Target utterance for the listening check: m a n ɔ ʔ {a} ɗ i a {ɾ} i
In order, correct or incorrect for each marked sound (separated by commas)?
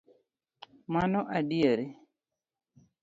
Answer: correct, correct